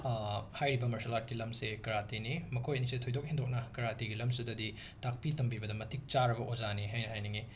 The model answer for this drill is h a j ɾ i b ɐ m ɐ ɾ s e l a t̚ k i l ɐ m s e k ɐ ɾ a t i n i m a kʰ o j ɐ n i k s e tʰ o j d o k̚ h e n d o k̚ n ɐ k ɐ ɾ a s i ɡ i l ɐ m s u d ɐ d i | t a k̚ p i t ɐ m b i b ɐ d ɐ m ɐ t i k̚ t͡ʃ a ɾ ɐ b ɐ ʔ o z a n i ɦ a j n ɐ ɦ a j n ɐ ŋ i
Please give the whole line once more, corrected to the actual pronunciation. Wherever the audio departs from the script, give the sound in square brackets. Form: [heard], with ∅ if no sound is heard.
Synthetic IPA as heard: h a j ɾ i b ɐ m ɐ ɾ s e l a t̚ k i l ɐ m s e k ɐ ɾ a t i n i m [ɐ] kʰ o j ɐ n i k s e tʰ o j d o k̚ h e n d o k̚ n ɐ k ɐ ɾ a [t] i ɡ i l ɐ m s u d ɐ d i | t a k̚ p i t ɐ m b i b ɐ d ɐ m ɐ t i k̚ t͡ʃ a ɾ ɐ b ɐ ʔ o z a n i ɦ a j n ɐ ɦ a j n ɐ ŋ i